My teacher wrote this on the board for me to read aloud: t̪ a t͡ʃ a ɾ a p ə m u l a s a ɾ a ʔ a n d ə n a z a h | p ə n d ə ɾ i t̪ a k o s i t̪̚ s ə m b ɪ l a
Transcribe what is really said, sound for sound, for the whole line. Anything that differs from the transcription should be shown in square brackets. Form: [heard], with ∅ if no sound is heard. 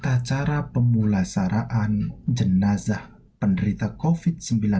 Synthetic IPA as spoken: t̪ a t͡ʃ a ɾ a p ə m u l a s a ɾ a ʔ a n [d͡ʒ] ə n a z a h | p ə n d ə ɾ i t̪ a k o [f] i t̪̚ s ə m b [i] l a